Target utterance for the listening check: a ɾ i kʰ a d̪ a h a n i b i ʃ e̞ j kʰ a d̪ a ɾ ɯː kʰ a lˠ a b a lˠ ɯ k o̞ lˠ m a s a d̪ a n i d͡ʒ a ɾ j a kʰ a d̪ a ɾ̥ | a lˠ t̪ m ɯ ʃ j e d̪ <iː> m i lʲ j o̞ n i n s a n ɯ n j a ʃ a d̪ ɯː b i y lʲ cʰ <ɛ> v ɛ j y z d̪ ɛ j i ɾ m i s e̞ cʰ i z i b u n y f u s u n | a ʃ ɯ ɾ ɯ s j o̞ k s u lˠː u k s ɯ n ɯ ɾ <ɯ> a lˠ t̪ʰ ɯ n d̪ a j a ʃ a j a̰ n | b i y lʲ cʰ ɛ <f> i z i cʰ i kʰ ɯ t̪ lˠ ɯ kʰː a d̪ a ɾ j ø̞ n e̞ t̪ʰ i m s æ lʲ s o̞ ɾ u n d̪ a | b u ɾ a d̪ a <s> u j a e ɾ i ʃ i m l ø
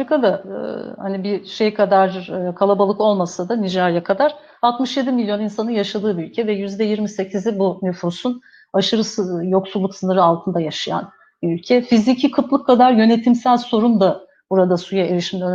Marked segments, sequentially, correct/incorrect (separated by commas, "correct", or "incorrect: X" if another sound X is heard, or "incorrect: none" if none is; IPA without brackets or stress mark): incorrect: i, correct, correct, correct, correct